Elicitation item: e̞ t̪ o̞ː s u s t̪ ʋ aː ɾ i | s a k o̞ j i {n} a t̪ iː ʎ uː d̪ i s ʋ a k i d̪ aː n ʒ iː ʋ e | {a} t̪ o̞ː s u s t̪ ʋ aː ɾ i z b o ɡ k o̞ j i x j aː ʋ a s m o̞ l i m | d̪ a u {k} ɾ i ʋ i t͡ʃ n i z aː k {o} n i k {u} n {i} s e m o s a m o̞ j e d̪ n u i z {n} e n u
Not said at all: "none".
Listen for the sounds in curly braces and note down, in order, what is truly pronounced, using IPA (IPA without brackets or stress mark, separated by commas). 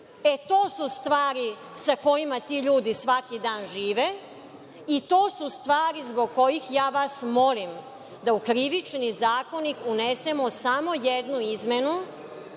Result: m, i, k, o, u, e, m